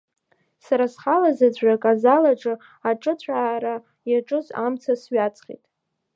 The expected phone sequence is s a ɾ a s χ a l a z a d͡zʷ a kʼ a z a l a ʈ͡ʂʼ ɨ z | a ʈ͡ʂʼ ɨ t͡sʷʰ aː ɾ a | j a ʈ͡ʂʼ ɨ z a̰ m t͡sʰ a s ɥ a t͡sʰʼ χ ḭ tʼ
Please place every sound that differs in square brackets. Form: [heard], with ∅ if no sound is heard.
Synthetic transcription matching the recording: s a ɾ a s χ a l a z a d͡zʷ a kʼ a z a l a ʈ͡ʂʼ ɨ [∅] | a ʈ͡ʂʼ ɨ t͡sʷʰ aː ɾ a | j a ʈ͡ʂʼ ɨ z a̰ m t͡sʰ a s ɥ a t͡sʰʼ χ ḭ tʼ